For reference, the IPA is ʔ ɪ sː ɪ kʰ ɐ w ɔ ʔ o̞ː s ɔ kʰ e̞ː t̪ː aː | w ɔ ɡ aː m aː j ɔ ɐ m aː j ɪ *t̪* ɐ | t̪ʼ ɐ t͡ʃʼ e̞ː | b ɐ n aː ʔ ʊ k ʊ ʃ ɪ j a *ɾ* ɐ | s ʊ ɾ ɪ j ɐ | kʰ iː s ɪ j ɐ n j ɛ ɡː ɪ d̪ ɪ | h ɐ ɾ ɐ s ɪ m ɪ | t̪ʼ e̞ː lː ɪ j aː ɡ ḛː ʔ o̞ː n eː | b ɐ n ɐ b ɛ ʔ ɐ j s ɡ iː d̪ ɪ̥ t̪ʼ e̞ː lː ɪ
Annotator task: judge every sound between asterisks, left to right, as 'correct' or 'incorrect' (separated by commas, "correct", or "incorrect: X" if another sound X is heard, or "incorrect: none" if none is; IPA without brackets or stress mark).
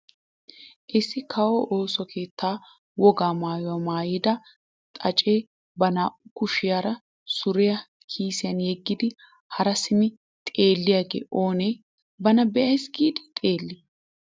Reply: incorrect: d̪, correct